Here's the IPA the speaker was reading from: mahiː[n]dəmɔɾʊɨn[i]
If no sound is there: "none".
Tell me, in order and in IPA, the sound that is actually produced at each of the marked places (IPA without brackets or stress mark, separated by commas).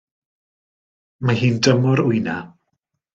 n, a